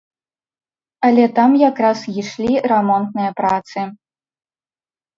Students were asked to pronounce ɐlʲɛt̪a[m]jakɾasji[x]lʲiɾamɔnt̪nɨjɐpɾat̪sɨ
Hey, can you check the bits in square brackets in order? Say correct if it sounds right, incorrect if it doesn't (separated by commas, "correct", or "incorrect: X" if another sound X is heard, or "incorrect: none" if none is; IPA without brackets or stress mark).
correct, incorrect: ʂ